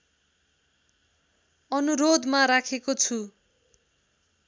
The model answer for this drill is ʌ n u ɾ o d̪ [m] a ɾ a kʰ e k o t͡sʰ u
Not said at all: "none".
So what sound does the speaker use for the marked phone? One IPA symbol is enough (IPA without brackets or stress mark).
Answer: m